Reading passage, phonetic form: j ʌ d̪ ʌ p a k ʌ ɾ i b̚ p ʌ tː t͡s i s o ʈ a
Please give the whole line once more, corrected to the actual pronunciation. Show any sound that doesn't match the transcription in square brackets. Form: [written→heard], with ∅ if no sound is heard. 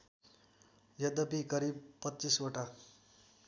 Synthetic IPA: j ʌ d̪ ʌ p [a→i] k ʌ ɾ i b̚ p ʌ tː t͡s i s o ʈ a